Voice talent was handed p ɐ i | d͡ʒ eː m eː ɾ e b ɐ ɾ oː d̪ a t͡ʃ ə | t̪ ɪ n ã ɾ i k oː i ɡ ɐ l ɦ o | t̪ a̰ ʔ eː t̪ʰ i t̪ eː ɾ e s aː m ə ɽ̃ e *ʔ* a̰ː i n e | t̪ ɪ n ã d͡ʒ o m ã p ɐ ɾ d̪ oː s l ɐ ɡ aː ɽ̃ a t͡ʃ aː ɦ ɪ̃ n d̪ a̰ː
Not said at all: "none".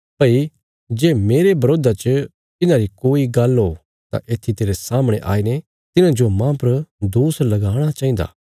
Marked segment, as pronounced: ʔ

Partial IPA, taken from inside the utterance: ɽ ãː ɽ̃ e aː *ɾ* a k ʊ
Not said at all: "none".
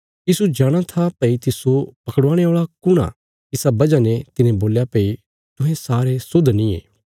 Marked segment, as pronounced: ɭ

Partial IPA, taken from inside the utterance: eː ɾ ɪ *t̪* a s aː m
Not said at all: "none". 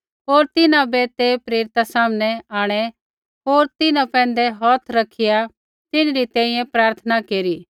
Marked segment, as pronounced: t̪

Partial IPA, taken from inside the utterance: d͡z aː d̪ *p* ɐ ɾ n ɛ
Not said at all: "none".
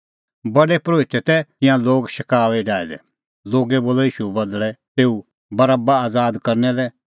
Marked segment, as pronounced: k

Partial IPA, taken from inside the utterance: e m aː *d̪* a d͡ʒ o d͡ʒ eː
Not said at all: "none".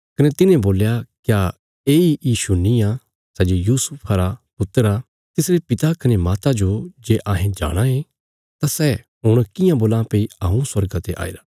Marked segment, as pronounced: t̪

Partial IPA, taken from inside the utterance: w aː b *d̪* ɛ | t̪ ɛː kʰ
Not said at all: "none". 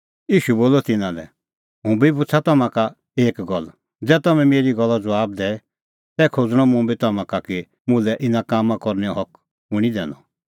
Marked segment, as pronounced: d̪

